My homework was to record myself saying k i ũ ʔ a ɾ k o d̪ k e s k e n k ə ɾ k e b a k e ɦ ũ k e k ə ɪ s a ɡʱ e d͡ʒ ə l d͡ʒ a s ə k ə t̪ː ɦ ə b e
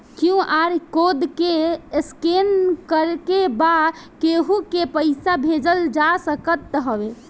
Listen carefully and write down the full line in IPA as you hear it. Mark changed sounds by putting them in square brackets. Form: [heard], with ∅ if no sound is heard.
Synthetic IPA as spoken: k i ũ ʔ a ɾ k o d̪ k e s k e n k ə ɾ k e b a k e ɦ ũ k e [p] ə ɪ s a [bʱ] e d͡ʒ ə l d͡ʒ a s ə k ə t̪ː ɦ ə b e